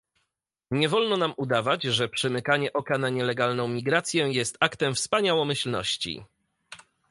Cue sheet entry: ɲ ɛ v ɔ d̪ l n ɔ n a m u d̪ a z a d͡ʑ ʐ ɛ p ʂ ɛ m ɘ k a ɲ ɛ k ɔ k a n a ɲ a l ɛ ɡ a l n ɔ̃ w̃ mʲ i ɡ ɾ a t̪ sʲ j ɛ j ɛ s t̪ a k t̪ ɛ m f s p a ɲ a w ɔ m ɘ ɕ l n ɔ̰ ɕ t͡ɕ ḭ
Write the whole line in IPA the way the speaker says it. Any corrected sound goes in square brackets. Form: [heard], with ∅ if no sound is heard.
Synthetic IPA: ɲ ɛ v ɔ [∅] l n ɔ n a m u d̪ a [v] a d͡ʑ ʐ ɛ p ʂ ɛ m ɘ k a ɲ ɛ [ʔ] ɔ k a n a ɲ [ɛ] l ɛ ɡ a l n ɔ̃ w̃ mʲ i ɡ ɾ a t̪ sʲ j ɛ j ɛ s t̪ a k t̪ ɛ m f s p a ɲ a w ɔ m ɘ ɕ l n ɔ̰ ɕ t͡ɕ ḭ